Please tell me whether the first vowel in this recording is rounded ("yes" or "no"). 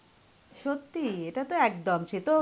yes